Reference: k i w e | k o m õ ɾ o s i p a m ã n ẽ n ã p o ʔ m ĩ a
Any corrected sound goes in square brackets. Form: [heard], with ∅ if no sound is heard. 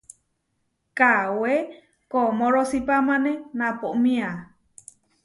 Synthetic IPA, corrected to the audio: k [a] w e | k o m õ ɾ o s i p a m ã n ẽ n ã p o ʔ m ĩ a